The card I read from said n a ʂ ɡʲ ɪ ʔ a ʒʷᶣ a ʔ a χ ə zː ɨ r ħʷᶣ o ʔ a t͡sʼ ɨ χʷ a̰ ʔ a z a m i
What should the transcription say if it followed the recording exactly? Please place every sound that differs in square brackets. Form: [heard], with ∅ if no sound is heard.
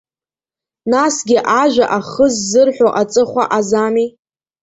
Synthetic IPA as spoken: n a [s] ɡʲ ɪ ʔ a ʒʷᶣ a ʔ a χ ə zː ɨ r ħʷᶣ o ʔ a t͡sʼ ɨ χʷ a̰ ʔ a z a m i